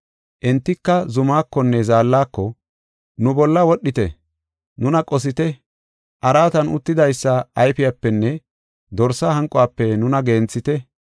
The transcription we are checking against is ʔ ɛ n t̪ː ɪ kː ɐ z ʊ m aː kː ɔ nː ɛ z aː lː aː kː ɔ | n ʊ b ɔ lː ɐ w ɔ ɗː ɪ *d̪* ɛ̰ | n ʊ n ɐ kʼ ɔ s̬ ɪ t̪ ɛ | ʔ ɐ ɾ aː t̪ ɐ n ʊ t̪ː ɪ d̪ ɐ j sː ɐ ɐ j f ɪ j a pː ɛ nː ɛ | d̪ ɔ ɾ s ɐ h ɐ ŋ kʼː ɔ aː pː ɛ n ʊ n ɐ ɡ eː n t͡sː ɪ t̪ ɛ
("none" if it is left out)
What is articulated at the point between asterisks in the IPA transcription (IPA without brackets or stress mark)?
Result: t̪